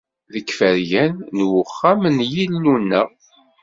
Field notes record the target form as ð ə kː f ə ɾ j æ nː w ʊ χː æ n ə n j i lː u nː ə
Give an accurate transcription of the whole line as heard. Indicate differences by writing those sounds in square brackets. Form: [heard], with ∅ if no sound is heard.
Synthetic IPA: ð ə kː f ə ɾ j æ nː w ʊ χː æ [m] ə n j i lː u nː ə